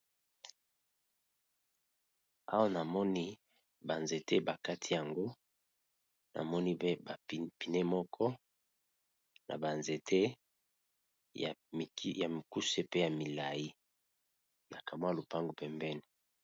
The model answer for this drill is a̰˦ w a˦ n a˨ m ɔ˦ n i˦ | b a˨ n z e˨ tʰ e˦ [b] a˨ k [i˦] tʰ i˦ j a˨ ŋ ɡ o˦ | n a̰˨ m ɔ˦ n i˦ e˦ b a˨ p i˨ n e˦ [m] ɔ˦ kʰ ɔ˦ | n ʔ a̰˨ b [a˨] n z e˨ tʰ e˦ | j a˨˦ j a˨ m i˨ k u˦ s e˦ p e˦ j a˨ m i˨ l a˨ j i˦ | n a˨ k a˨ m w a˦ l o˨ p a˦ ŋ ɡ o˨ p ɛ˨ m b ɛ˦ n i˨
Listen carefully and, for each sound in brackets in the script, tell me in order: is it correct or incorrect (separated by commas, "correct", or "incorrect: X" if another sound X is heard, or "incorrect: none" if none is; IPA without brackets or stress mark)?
correct, incorrect: a˦, correct, correct